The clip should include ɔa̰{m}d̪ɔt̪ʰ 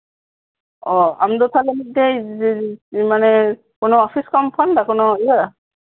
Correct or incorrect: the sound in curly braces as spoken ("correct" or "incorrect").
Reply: correct